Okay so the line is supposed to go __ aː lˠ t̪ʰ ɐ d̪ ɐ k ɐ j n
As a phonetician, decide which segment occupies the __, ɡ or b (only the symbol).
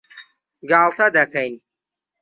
ɡ